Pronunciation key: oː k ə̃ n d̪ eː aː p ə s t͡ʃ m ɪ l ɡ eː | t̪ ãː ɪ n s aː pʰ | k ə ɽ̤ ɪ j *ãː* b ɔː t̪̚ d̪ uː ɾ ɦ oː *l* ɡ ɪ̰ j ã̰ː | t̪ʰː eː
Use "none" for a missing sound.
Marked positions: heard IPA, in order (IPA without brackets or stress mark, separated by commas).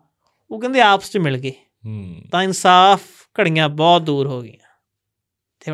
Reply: ãː, none